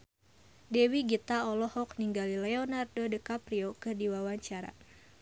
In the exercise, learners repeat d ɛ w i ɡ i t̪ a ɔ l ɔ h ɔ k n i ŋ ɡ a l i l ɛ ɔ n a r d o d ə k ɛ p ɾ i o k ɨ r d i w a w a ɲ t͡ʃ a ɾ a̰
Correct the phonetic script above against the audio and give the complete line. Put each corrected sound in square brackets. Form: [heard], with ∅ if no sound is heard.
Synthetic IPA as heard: d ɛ w i ɡ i t̪ a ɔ l ɔ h ɔ k n i ŋ ɡ a l i l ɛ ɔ n a r d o d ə k [a] p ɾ i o k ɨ r d i w a w a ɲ t͡ʃ a ɾ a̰